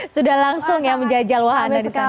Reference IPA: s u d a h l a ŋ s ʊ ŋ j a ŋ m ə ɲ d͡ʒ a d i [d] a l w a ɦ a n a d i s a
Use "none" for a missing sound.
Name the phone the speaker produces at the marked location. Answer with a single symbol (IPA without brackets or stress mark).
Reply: d͡ʒ